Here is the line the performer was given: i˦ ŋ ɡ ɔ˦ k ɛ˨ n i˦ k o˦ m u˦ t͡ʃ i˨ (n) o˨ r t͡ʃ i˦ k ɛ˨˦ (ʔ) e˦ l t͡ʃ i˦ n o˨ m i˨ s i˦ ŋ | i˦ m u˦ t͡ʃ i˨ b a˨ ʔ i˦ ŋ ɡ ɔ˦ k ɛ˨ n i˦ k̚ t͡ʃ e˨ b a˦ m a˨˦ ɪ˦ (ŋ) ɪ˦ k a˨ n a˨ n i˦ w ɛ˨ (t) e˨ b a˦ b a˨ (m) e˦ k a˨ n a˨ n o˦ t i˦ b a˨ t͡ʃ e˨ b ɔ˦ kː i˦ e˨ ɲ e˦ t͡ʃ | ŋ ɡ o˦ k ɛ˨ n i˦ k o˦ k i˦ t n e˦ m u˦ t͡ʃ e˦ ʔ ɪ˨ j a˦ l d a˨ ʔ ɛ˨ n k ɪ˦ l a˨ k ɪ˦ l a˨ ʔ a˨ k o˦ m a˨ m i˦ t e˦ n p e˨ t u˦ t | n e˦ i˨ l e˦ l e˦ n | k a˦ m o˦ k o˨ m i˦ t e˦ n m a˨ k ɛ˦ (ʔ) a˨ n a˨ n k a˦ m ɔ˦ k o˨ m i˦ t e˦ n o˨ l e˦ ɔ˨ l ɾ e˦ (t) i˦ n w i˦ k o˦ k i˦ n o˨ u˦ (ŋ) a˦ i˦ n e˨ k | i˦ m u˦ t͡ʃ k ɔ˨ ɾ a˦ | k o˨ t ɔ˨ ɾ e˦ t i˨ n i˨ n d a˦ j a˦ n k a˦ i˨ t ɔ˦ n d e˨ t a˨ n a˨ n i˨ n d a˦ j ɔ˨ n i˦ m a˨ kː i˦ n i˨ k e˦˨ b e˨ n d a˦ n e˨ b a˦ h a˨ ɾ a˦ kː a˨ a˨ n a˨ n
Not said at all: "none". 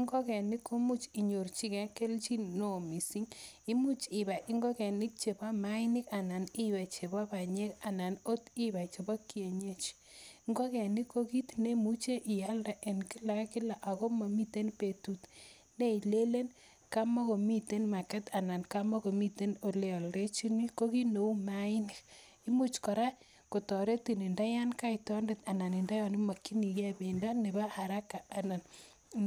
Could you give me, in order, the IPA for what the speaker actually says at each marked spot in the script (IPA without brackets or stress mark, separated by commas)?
ɲ, k, n, t͡ʃ, ɲ, t, t͡ʃ, m